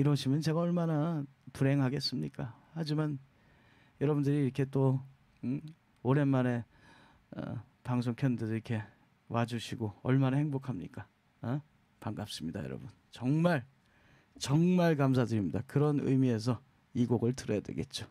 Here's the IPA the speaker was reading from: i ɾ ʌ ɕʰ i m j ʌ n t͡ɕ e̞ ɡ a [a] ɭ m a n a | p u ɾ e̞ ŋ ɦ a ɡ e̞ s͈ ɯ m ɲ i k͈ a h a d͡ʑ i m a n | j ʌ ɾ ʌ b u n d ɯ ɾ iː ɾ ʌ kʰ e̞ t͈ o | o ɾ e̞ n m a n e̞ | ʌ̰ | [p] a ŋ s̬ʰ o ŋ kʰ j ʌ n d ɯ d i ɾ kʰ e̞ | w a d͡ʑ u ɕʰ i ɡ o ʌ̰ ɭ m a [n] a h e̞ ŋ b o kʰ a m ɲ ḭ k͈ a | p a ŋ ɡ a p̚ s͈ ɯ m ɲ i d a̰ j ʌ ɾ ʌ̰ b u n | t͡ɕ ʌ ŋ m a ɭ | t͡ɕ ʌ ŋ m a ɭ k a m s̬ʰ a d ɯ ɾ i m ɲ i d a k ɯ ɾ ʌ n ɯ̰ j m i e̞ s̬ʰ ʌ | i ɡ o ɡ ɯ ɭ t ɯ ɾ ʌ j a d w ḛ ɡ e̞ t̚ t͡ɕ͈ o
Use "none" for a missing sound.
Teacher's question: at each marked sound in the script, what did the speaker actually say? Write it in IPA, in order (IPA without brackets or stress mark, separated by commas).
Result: ʌ, p, n